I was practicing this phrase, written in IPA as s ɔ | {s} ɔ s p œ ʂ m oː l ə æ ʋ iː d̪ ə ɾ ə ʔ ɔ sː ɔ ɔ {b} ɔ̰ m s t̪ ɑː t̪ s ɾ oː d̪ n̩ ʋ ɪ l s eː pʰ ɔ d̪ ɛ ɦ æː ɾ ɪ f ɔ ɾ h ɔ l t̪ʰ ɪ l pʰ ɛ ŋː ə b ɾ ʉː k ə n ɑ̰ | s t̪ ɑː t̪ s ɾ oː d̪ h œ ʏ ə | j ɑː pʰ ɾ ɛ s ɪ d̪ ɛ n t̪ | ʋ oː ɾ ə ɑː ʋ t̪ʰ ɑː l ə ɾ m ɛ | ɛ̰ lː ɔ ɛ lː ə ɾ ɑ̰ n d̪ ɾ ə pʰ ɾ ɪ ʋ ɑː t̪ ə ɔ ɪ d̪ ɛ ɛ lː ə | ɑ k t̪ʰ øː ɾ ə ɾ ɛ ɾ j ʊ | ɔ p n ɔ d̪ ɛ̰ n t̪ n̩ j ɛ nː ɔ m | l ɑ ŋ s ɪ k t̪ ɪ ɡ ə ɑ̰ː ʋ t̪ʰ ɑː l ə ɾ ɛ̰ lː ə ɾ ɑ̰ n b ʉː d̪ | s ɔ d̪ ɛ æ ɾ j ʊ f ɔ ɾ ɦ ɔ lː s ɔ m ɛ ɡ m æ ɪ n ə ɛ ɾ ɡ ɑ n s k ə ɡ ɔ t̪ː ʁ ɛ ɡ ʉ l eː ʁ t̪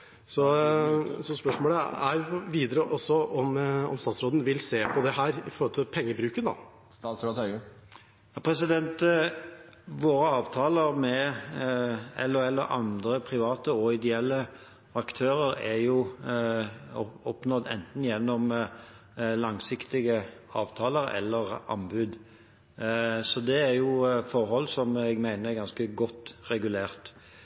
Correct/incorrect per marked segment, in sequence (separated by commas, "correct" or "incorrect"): correct, incorrect